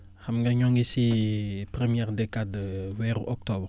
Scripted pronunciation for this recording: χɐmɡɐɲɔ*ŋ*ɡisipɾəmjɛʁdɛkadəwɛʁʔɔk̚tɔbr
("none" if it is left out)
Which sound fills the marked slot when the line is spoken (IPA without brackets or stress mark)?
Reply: ŋ